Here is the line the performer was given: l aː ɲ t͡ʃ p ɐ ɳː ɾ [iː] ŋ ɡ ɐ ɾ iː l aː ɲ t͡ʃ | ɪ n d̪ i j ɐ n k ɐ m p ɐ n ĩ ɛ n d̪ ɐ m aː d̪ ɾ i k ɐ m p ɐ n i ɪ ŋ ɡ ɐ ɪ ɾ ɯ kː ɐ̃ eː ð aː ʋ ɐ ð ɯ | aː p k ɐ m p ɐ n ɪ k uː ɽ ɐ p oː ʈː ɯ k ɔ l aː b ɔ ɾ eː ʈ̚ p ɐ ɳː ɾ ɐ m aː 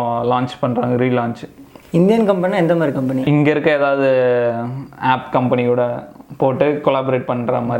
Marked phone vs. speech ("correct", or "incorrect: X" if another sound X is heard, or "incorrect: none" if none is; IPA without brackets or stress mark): incorrect: aː